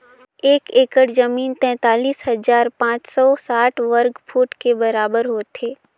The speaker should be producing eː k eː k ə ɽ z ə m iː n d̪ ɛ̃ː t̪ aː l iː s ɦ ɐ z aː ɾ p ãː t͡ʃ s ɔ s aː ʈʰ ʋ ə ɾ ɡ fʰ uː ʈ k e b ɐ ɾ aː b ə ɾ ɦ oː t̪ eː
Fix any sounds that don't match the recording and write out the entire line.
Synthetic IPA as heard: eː k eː k ə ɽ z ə m iː n t̪ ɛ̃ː t̪ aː l iː s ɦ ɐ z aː ɾ p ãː t͡ʃ s ɔ s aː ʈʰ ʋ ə ɾ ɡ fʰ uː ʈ k e b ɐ ɾ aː b ə ɾ ɦ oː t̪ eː